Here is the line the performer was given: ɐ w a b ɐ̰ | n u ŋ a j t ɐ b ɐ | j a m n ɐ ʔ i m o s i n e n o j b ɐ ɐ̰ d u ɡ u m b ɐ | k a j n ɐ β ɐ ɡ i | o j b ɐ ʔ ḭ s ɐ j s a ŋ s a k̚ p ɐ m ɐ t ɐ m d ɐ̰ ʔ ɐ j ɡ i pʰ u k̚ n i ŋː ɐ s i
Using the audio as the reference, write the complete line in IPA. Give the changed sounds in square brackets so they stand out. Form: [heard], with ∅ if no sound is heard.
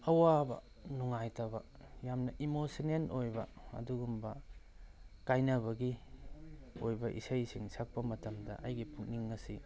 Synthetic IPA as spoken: ɐ w a b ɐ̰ | n u ŋ a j t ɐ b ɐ | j a m n ɐ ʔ i m o s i n e n o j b ɐ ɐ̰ d u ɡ u m b ɐ | k a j n ɐ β ɐ ɡ i | o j b ɐ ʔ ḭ s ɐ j s [i] ŋ s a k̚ p ɐ m ɐ t ɐ m d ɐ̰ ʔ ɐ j ɡ i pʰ u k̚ n i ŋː ɐ s i